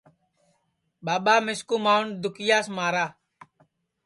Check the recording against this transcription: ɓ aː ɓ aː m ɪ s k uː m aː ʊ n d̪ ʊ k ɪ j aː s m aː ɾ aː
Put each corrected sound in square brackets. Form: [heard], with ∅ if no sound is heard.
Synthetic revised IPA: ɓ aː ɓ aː m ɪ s k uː m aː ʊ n d̪ ʊ k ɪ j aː s m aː ɾ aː